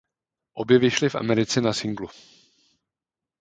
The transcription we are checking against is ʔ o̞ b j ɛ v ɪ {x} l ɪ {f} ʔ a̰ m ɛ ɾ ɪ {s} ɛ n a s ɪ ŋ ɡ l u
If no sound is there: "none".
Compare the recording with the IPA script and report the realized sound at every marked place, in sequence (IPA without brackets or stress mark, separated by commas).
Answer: ʃ, f, t͡s